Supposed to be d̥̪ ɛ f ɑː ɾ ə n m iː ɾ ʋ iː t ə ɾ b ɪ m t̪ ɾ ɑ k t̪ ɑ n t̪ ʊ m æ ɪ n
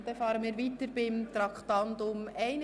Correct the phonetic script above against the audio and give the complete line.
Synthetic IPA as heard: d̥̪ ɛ f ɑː ɾ ə n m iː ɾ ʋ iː t ə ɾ b ɪ m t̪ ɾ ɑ k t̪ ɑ n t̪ ʊ m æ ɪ n